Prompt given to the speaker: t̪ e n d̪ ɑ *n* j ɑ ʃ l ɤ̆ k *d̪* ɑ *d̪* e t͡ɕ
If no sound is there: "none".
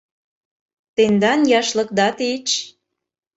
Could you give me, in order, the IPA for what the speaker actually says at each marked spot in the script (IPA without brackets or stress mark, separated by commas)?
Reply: n, d̪, t̪